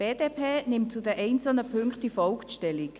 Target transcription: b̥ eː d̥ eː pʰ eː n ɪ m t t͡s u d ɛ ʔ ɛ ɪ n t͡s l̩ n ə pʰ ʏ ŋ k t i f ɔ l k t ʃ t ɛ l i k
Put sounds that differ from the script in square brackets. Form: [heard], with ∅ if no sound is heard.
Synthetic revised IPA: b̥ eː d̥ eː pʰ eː n ɪ m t t͡s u d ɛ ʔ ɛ ɪ n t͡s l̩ n ə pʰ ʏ ŋ k t i f ɔ l k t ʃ t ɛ l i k